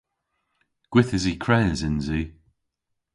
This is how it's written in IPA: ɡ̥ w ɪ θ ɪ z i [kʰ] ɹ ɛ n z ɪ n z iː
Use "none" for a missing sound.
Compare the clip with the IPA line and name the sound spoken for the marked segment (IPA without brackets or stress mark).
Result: kʰ